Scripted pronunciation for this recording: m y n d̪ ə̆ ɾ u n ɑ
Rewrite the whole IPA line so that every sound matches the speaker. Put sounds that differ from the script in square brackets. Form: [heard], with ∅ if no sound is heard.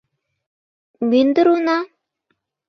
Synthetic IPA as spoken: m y n d̪ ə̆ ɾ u n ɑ